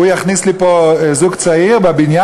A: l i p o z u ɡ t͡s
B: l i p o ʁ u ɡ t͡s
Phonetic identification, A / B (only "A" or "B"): A